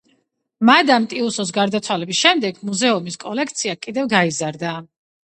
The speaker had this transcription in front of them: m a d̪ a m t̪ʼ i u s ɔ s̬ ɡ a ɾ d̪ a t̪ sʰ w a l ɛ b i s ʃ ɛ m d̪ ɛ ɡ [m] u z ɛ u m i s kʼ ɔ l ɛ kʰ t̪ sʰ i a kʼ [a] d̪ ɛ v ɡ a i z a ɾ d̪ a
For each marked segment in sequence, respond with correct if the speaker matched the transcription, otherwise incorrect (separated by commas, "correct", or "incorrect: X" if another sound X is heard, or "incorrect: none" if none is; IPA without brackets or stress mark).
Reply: correct, incorrect: i